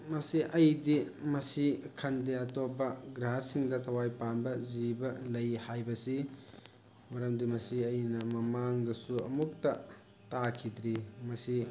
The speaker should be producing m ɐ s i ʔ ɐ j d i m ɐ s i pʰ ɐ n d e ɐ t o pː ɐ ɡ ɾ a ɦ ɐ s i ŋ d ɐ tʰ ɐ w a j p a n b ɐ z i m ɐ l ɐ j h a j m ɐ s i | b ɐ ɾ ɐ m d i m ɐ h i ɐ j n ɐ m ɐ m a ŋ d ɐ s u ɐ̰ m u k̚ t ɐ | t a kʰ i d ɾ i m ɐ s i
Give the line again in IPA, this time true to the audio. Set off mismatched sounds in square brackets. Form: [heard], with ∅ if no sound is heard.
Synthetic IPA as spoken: m ɐ s i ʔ ɐ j d i m ɐ s i [kʰ] ɐ n d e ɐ t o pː ɐ ɡ ɾ a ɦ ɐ s i ŋ d ɐ tʰ ɐ w a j p a n b ɐ z i [b] ɐ l ɐ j h a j [b] ɐ s i | [m] ɐ ɾ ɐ m d i m ɐ [s] i ɐ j n ɐ m ɐ m a ŋ d ɐ s u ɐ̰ m u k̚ t ɐ | t a kʰ i d ɾ i m ɐ s i

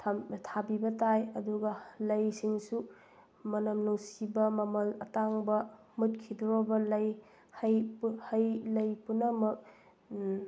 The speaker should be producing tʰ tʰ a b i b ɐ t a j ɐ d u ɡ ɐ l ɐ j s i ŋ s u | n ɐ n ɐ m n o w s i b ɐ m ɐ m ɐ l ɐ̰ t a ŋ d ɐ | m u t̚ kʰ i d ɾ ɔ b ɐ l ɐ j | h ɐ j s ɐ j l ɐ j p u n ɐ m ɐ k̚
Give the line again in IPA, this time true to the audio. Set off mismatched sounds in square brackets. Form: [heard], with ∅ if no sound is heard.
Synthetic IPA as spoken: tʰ tʰ a b i b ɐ t a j ɐ d u ɡ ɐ l ɐ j s i ŋ s u | [m] ɐ n ɐ m n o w s i b ɐ m ɐ m ɐ l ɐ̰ t a ŋ [b] ɐ | m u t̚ kʰ i d ɾ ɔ b ɐ l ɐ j | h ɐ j [h] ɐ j l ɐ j p u n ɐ m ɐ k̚

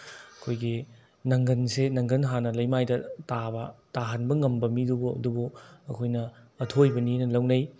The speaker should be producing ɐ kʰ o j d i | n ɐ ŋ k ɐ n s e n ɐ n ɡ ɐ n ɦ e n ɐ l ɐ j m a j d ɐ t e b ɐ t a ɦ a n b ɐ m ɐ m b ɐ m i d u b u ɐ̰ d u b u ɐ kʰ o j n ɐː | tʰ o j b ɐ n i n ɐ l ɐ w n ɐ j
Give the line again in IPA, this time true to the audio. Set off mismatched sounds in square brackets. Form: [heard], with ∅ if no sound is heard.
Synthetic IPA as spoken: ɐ kʰ o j [ɡ] i | n ɐ ŋ [ɡ] ɐ n s e n ɐ [ŋ] ɡ ɐ n ɦ [a] n ɐ l ɐ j m a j d ɐ t [a] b ɐ t a ɦ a n b ɐ [ŋ] ɐ m b ɐ m i d u b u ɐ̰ d u b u ɐ kʰ o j n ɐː | tʰ o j b ɐ n i n ɐ l ɐ w n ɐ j

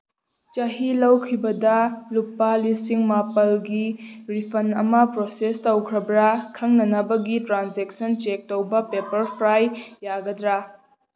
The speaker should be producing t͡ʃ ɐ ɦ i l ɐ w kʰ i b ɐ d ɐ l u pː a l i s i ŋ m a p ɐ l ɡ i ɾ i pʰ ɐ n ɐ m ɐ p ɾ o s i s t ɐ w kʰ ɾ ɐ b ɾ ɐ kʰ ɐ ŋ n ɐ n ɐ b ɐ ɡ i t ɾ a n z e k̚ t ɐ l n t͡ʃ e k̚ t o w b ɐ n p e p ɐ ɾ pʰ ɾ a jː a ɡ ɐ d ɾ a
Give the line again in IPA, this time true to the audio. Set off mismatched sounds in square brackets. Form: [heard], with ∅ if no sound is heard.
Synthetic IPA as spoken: t͡ʃ ɐ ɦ i l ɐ w kʰ i b ɐ d ɐ l u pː a l i s i ŋ m a p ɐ l ɡ i ɾ i pʰ ɐ n ɐ m ɐ p ɾ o s [e] s t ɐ w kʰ ɾ ɐ b ɾ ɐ kʰ ɐ ŋ n ɐ n ɐ b ɐ ɡ i t ɾ a n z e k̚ [s] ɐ [∅] n t͡ʃ e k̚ t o w b ɐ [∅] p e p ɐ ɾ pʰ ɾ a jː a ɡ ɐ d ɾ a

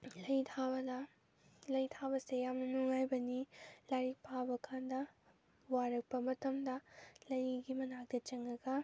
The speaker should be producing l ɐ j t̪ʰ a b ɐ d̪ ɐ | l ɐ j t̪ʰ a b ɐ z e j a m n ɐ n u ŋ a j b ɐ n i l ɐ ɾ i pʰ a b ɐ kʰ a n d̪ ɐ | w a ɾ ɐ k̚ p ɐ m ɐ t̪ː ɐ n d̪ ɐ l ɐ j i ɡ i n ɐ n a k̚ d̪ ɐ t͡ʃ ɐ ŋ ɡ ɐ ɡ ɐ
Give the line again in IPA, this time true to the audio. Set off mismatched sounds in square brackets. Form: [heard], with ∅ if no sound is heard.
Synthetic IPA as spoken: l ɐ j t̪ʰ a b ɐ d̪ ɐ | l ɐ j t̪ʰ a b ɐ [s] e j a m n ɐ n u ŋ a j b ɐ n i l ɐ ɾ i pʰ a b ɐ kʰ a n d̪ ɐ | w a ɾ ɐ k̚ p ɐ m ɐ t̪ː ɐ [m] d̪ ɐ l ɐ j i ɡ i [m] ɐ n a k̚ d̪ ɐ t͡ʃ ɐ ŋ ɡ ɐ ɡ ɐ

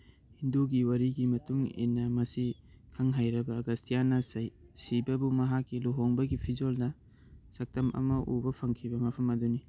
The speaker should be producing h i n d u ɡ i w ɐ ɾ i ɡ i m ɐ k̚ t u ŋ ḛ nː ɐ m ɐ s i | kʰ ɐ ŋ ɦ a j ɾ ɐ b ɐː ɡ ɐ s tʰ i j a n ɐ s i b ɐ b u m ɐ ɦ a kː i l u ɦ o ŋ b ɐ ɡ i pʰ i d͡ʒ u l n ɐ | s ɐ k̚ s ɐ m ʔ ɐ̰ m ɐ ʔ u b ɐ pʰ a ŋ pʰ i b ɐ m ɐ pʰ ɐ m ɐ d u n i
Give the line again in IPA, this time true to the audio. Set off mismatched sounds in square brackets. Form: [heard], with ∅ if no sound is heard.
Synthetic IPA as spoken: h i n d u ɡ i w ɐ ɾ i ɡ i m ɐ [∅] t u ŋ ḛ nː ɐ m ɐ s i | kʰ ɐ ŋ ɦ a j ɾ ɐ b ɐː ɡ ɐ s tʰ i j a n ɐ s i b ɐ b u m ɐ ɦ a kː i l u ɦ o ŋ b ɐ ɡ i pʰ i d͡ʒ [o] l n ɐ | s ɐ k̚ [t] ɐ m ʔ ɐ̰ m ɐ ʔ u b ɐ pʰ [ɐ] ŋ [kʰ] i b ɐ m ɐ pʰ ɐ m ɐ d u n i

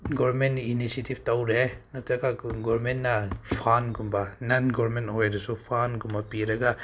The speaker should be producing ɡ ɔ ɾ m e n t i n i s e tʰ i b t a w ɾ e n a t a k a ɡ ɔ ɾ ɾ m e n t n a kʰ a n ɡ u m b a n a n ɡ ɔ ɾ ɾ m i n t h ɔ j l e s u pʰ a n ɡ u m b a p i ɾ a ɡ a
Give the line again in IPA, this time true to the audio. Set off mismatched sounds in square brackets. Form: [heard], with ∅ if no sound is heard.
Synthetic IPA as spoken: ɡ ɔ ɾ m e n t i n i s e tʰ i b t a w ɾ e n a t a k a ɡ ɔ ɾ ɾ m e n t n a [pʰ] a n ɡ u m b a n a n ɡ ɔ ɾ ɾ m [e] n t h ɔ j [ɾ] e s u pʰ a n ɡ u m b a p i ɾ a ɡ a

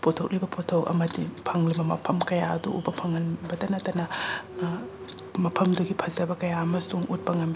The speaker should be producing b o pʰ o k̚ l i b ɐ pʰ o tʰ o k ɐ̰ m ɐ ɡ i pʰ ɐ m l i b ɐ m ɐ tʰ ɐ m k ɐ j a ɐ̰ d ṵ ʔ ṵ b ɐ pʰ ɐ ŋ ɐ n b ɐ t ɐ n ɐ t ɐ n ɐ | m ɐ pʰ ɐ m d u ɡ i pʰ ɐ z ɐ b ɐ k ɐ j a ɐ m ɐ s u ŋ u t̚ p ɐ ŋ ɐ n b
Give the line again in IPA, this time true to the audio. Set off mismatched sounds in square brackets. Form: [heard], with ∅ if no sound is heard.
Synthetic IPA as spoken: [p] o [tʰ] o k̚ l i b ɐ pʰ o tʰ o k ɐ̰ m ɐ [d] i pʰ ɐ [ŋ] l i b ɐ m ɐ [pʰ] ɐ m k ɐ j a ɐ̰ d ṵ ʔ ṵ b ɐ pʰ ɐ ŋ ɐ n b ɐ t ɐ n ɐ t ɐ n ɐ | m ɐ pʰ ɐ m d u ɡ i pʰ ɐ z ɐ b ɐ k ɐ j a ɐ m ɐ s u ŋ u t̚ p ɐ ŋ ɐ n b

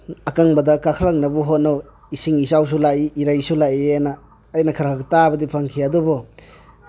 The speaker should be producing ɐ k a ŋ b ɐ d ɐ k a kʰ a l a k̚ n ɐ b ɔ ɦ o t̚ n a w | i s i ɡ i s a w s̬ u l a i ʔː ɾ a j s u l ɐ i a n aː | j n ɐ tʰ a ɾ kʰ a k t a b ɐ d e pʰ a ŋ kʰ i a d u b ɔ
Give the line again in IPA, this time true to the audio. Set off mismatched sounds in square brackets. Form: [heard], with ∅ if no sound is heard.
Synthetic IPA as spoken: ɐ k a ŋ b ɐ d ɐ k a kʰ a l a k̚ n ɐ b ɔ ɦ o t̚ n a w | i s i [ŋ] i s a w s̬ u l a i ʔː ɾ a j s u l [a] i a n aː | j n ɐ [kʰ] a ɾ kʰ a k t a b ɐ d [i] pʰ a ŋ kʰ i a d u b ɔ

